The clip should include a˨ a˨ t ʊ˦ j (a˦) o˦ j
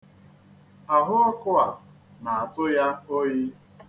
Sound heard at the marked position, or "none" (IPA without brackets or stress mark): a˦